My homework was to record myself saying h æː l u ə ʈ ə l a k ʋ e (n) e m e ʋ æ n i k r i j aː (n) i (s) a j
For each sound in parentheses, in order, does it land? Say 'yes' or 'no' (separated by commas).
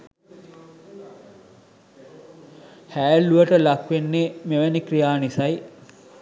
no, yes, yes